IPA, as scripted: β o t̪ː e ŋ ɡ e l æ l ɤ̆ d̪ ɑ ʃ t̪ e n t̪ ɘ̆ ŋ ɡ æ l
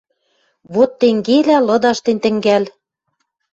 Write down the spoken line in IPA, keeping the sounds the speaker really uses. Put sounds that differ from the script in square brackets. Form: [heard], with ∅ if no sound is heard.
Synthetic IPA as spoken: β o t̪ː e ŋ ɡ e l æ l ɤ̆ d̪ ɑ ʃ t̪ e n t̪ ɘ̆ ŋ ɡ æ l